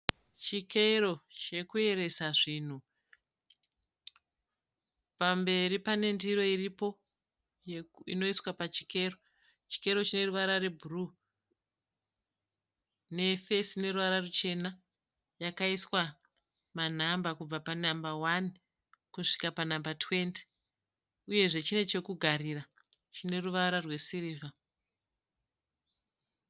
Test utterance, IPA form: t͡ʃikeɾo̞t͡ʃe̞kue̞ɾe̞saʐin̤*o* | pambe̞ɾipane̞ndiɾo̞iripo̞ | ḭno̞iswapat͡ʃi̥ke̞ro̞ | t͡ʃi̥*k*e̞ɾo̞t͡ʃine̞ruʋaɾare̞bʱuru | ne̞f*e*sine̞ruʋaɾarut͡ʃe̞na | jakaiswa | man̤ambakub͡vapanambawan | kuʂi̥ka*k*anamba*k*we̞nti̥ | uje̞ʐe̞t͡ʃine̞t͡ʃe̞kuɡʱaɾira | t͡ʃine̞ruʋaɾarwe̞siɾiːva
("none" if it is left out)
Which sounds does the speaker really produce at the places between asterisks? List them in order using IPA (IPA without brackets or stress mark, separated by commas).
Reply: u, k, e, p, t